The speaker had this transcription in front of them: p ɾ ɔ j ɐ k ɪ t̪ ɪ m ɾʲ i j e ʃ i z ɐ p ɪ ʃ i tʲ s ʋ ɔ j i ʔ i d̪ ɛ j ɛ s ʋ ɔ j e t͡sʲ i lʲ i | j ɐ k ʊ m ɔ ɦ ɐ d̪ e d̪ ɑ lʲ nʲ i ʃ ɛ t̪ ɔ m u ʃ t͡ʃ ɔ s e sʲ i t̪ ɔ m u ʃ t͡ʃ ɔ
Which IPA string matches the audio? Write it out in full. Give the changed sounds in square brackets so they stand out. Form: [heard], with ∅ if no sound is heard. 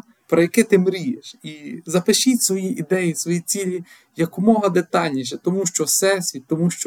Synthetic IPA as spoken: p ɾ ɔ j ɐ k ɪ t̪ ɪ m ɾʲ i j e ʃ i z ɐ p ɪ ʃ i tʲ s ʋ ɔ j i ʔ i d̪ ɛ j [i] s ʋ ɔ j [i] t͡sʲ i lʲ i | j ɐ k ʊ m ɔ ɦ ɐ d̪ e [t̪] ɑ lʲ nʲ i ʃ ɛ t̪ ɔ m u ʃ t͡ʃ ɔ s [ɛ] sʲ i t̪ ɔ m u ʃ t͡ʃ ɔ